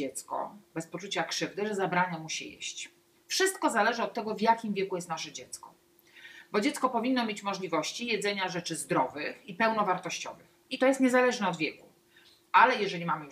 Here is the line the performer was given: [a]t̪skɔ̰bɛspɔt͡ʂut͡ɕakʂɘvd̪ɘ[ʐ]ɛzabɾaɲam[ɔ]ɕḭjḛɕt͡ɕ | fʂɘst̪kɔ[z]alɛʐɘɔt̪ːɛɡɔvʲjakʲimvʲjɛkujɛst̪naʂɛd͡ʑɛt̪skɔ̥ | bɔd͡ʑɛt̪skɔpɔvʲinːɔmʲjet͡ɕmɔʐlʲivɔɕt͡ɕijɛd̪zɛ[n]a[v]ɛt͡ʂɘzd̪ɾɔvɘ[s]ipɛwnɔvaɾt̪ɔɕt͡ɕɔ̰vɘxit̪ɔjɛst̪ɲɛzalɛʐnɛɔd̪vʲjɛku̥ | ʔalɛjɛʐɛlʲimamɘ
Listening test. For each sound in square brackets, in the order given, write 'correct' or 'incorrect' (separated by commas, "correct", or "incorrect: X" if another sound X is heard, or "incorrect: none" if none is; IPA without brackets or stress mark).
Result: incorrect: ɛ, correct, incorrect: u, correct, incorrect: ɲ, incorrect: ʐ, incorrect: x